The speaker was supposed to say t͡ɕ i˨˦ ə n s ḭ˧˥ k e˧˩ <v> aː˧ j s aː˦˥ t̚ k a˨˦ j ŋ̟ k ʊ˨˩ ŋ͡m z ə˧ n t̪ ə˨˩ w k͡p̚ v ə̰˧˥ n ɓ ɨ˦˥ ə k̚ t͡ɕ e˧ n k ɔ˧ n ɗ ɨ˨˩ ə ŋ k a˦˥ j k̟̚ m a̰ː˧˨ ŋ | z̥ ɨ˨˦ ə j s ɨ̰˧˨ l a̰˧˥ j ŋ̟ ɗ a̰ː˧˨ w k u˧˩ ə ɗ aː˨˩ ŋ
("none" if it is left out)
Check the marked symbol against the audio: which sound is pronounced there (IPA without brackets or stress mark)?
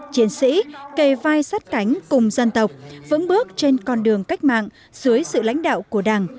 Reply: v